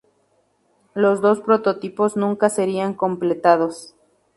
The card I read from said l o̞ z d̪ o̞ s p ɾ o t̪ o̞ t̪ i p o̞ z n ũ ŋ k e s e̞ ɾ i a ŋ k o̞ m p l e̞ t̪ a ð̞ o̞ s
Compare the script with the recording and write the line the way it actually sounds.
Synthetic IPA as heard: l o̞ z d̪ o̞ s p ɾ o t̪ o̞ t̪ i p o̞ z n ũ ŋ k a s e̞ ɾ i a ŋ k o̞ m p l e̞ t̪ a ð̞ o̞ s